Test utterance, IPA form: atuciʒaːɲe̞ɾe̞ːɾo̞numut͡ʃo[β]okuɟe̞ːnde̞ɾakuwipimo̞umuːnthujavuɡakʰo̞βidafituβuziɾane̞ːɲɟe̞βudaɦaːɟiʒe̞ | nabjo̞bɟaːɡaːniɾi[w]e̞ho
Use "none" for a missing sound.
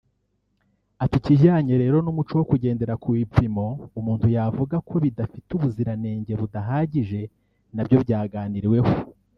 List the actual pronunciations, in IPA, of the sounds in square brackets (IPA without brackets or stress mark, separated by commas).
w, w